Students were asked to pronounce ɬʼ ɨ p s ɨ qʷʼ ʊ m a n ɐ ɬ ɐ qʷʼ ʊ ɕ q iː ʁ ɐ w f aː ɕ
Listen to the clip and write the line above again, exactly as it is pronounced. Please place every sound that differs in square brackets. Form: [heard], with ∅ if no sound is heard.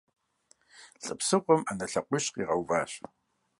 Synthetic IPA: ɬʼ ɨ p s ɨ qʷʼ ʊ m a n ɐ ɬ ɐ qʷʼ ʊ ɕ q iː ʁ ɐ w [v] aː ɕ